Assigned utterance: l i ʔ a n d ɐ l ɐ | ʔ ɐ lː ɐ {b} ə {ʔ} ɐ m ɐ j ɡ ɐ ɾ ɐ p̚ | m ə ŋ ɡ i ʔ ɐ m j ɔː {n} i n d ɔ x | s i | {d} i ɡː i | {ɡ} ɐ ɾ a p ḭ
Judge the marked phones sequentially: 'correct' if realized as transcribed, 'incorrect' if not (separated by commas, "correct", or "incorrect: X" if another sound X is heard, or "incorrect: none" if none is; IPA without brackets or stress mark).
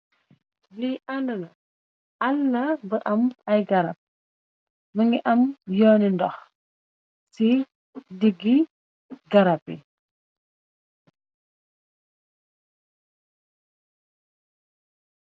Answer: correct, correct, correct, correct, correct